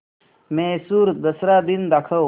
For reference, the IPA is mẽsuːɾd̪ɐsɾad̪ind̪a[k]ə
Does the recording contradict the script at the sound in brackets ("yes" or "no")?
yes